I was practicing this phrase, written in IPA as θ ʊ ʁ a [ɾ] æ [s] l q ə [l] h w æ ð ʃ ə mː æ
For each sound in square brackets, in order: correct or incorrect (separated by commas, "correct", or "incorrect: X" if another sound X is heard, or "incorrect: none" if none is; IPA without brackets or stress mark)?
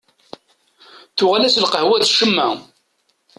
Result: incorrect: l, correct, incorrect: none